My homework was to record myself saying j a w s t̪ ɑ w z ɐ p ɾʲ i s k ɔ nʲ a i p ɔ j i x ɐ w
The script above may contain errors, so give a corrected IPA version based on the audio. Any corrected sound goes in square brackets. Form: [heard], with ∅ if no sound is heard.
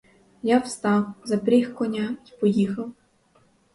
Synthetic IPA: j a w s t̪ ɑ w z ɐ p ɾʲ i [x] k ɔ nʲ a i p ɔ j i x ɐ w